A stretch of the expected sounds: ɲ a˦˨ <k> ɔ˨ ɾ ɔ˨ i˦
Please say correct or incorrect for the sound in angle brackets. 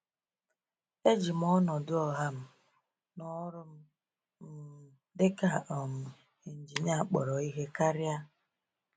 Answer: incorrect: k͡p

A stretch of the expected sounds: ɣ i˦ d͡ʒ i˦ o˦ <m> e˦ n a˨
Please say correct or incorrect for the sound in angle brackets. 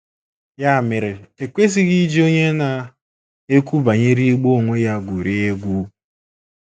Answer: incorrect: ɲ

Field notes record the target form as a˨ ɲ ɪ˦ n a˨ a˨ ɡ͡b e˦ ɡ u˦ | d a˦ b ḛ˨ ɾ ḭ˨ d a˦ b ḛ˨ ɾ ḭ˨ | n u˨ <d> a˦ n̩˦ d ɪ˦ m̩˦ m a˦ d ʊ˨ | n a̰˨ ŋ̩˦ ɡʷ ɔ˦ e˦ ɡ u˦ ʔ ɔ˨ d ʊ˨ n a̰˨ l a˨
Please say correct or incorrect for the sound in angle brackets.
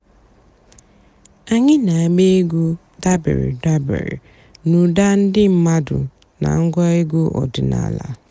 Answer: correct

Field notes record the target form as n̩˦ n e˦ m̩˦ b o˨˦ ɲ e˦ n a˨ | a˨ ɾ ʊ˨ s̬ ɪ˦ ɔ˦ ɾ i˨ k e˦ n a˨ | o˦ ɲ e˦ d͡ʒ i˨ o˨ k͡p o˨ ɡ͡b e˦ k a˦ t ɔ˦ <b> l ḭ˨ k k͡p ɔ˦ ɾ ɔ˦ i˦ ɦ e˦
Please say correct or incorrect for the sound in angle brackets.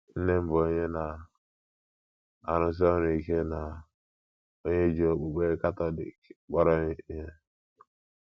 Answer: incorrect: none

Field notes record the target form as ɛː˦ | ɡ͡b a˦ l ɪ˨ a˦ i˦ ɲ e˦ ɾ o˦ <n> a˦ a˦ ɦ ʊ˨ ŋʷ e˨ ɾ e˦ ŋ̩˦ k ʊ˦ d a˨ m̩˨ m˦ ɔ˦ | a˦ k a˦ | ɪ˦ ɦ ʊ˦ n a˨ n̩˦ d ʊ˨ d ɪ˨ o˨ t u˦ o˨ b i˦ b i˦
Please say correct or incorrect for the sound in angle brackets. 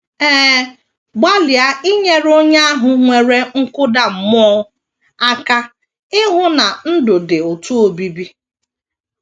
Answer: incorrect: ɲ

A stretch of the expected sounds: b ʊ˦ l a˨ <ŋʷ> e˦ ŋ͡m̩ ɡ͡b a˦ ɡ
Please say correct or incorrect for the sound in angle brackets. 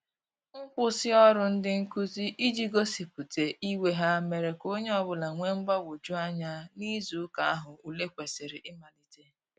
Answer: correct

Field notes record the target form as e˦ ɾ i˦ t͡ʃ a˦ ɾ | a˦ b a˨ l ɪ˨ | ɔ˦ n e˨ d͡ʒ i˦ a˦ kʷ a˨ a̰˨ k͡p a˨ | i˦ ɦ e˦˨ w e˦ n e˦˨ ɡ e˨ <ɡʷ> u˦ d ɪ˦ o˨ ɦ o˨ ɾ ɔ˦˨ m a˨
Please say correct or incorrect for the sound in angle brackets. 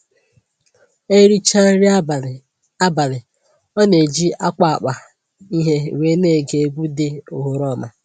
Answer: correct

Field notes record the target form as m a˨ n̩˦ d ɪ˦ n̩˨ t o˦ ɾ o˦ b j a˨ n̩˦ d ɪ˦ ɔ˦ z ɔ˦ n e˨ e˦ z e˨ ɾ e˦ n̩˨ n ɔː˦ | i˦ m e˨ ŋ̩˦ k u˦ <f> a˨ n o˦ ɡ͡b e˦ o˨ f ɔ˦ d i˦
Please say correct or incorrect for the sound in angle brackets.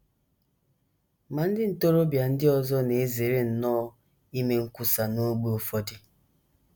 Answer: incorrect: s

